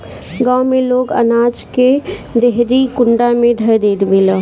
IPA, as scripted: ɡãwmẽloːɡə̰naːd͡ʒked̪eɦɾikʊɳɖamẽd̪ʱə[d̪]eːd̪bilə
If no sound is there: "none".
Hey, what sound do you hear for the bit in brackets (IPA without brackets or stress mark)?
d̪